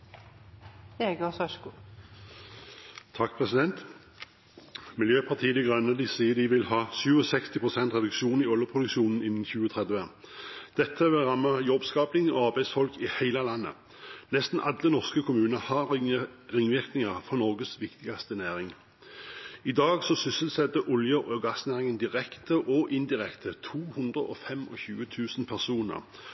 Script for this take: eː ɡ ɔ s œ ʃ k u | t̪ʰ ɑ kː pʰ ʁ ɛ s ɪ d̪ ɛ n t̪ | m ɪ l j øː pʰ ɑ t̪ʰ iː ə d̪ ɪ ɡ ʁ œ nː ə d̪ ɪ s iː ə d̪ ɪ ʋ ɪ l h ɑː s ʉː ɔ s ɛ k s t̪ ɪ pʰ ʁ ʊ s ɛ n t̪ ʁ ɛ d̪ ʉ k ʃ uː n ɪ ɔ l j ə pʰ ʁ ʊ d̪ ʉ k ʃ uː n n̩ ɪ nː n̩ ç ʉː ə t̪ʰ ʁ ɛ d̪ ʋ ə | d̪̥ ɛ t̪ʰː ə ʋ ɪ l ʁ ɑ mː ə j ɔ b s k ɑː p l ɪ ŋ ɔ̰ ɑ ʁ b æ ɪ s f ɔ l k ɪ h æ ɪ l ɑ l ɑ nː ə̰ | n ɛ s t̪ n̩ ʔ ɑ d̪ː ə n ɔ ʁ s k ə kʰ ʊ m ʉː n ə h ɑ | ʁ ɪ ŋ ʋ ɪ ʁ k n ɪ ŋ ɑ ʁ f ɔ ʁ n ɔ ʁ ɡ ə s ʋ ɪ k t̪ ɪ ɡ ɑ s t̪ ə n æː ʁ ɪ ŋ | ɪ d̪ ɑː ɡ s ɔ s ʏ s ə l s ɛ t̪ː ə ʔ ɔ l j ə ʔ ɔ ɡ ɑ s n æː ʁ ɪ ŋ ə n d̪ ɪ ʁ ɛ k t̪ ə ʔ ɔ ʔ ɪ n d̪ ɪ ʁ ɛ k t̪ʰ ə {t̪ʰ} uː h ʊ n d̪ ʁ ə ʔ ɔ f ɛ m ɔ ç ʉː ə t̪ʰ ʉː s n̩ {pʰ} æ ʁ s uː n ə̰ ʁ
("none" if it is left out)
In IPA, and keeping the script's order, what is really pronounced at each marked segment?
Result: t̪ʰ, pʰ

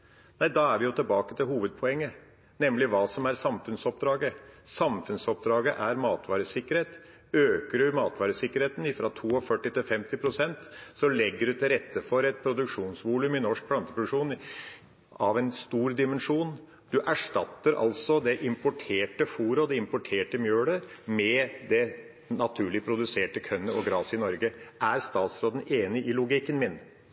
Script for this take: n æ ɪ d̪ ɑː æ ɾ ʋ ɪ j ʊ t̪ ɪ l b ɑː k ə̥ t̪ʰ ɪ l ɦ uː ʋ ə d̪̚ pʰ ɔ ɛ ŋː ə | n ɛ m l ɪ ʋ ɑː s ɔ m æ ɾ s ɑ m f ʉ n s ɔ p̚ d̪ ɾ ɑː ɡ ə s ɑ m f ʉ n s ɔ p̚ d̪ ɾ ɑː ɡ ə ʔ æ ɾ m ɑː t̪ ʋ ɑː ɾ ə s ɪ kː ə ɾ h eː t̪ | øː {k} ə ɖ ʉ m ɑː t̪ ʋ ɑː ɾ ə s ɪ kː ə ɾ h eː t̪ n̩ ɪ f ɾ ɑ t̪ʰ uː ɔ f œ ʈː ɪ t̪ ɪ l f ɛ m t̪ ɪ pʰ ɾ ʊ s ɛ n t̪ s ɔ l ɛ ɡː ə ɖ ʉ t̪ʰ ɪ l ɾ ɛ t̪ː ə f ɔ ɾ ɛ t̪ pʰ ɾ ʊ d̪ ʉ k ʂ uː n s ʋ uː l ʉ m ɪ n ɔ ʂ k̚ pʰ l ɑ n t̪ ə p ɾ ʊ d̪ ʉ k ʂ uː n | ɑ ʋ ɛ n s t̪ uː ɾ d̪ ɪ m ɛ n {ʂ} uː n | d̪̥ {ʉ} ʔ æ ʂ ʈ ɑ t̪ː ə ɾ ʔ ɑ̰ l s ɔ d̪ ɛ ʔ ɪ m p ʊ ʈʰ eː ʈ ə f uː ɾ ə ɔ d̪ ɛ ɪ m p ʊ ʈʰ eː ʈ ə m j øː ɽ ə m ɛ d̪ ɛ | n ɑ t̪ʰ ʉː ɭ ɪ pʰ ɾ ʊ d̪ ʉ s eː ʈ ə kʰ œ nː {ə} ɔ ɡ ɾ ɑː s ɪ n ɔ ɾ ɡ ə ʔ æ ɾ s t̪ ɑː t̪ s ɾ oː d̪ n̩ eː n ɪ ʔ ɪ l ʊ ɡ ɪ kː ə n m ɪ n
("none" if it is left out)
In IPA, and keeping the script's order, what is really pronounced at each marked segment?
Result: k, ʂ, ʉ, ə

